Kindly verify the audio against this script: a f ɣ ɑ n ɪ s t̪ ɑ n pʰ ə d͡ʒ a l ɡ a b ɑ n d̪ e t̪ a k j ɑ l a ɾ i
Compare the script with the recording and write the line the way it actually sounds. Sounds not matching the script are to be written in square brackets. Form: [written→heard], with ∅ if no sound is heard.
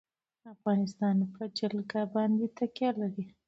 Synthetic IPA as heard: a f ɣ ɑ n ɪ s t̪ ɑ n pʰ ə d͡ʒ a l ɡ a b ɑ n d̪ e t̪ a k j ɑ l a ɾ i